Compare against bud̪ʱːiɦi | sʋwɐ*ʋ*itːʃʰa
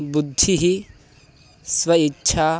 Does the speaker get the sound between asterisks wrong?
yes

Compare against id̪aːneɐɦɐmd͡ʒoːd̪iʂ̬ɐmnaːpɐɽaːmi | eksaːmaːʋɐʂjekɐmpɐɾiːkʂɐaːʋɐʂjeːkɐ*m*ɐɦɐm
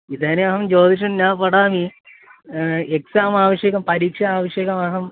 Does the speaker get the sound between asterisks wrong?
no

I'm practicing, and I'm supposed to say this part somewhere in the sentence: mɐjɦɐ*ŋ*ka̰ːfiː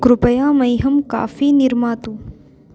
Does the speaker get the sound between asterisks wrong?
yes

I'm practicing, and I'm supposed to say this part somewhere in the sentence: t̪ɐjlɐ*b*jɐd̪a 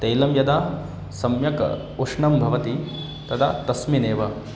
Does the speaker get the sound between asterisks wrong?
yes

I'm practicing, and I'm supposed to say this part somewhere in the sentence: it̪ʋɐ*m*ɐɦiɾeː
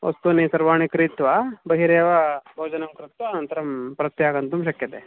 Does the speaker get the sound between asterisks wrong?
yes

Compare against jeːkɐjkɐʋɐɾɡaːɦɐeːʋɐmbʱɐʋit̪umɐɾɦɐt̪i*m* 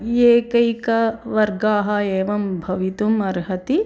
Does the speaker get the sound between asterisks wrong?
yes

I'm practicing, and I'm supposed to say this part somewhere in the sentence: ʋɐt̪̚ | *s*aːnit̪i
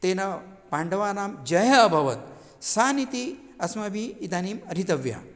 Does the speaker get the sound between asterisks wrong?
no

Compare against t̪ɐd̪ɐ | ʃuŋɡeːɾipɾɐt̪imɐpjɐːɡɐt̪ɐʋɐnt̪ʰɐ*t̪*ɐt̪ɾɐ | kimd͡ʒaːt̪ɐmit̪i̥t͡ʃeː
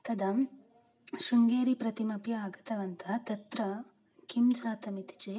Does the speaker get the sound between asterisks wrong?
no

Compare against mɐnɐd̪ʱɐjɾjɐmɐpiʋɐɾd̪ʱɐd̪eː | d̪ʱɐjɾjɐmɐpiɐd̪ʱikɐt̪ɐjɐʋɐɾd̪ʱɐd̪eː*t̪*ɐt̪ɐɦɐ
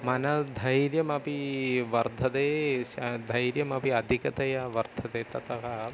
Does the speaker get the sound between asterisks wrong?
no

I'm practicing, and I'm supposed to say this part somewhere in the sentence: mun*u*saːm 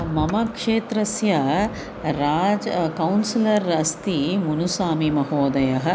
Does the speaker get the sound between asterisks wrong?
no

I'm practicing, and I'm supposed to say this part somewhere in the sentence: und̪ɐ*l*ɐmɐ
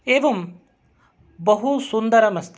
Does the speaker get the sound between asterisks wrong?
yes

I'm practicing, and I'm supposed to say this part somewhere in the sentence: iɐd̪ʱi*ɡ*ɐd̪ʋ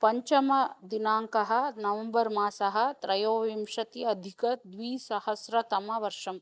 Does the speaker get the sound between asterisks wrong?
yes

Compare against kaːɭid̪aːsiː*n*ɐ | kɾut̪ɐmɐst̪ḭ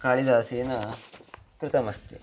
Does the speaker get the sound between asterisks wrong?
no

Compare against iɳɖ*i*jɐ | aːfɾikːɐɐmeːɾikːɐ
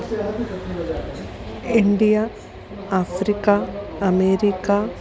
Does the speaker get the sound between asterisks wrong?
no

